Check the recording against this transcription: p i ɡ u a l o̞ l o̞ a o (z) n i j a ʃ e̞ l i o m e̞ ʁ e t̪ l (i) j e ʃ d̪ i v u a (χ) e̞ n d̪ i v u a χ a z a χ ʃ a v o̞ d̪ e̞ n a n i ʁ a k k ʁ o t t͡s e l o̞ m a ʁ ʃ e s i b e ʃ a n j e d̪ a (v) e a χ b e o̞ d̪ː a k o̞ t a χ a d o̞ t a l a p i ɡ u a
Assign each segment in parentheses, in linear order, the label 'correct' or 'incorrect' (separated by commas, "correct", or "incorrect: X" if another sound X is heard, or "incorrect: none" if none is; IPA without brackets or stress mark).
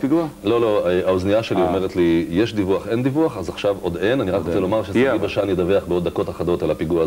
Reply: correct, correct, correct, correct